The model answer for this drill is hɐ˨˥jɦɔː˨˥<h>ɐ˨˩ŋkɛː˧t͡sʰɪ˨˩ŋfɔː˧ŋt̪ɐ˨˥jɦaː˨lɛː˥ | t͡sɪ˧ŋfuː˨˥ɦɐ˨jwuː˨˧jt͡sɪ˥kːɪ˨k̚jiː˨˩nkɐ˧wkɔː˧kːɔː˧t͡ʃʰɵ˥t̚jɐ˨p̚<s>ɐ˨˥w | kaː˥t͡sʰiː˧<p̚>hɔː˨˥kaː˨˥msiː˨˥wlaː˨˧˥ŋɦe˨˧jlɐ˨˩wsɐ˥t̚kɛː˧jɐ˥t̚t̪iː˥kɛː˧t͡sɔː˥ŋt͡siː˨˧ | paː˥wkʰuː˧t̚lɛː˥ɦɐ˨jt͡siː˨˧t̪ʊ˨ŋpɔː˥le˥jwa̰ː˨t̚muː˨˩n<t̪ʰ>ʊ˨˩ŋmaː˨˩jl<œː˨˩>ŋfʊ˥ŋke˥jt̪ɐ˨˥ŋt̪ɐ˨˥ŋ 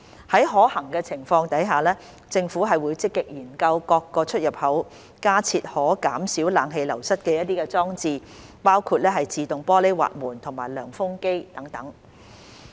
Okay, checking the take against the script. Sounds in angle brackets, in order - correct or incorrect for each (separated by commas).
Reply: correct, incorrect, incorrect, correct, correct